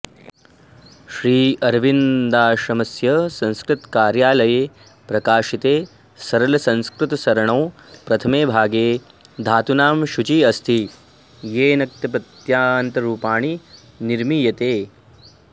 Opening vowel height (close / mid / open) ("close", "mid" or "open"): close